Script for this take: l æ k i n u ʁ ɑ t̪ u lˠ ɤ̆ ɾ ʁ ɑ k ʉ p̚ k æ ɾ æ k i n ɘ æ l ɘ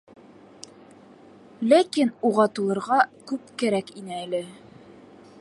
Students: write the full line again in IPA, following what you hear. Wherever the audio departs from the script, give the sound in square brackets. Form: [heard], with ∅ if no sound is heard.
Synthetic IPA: l æ k i n u ʁ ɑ t̪ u lˠ ɤ̆ ɾ ʁ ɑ k ʉ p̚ k æ ɾ æ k i n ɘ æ l ɘ